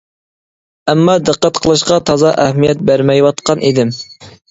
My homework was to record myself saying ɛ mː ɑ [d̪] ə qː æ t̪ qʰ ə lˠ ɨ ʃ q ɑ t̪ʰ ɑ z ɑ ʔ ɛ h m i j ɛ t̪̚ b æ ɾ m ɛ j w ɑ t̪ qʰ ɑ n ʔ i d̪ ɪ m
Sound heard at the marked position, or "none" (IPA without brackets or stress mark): d̪